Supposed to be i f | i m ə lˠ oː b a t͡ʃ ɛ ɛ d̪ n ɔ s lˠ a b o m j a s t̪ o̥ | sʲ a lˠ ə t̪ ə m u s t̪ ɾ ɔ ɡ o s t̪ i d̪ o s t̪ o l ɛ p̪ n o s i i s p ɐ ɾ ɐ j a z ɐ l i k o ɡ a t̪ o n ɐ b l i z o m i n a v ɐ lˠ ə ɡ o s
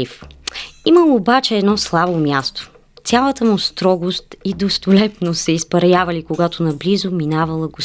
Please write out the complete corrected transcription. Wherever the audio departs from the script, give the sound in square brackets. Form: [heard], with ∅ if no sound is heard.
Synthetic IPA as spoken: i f | i m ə lˠ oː b a t͡ʃ ɛ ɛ d̪ n ɔ s lˠ a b o m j a s t̪ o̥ | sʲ a lˠ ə t̪ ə m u s t̪ ɾ ɔ ɡ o s t̪ i d̪ o s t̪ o l ɛ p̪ n o s [ɛ] i s p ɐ ɾ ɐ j a [v] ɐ l i k o ɡ a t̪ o n ɐ b l i z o m i n a v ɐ lˠ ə ɡ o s